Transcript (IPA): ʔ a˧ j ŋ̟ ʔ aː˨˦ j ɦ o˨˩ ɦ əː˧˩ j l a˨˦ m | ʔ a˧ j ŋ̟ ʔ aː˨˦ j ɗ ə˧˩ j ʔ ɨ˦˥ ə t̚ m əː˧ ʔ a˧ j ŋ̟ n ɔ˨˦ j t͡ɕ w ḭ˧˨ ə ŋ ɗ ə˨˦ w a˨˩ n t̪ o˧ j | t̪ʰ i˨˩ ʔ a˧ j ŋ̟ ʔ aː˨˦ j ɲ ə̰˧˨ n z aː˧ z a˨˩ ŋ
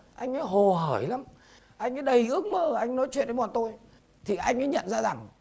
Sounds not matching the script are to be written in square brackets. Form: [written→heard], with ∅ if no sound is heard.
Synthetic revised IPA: ʔ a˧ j ŋ̟ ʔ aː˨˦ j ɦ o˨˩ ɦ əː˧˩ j l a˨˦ m | ʔ a˧ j ŋ̟ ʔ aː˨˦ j ɗ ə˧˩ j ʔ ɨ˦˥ ə [t̚→k̚] m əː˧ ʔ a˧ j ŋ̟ n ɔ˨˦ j t͡ɕ w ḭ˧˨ ə [ŋ→n] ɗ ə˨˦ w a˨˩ n t̪ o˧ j | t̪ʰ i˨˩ ʔ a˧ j ŋ̟ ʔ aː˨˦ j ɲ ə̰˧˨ n z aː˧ z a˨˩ ŋ